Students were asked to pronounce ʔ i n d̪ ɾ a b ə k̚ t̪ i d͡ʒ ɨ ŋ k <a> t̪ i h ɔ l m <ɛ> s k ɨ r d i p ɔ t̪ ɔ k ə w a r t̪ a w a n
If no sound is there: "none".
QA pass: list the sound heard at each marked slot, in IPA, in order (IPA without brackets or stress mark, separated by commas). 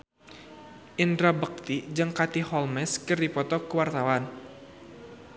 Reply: a, ɛ